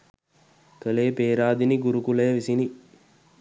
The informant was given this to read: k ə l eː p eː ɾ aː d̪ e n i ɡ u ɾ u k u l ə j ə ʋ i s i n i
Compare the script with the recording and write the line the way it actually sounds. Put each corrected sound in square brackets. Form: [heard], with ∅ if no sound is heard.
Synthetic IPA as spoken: k ə l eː p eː ɾ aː d̪ [i] n i ɡ u ɾ u k u l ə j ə ʋ i s i n i